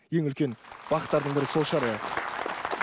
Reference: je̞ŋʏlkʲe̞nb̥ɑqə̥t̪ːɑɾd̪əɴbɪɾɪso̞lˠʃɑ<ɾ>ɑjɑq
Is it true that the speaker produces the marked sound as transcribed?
yes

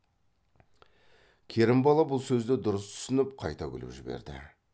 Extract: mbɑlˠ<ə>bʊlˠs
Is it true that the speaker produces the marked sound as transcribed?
no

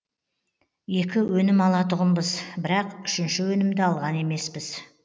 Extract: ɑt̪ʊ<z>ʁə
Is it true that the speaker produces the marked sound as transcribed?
no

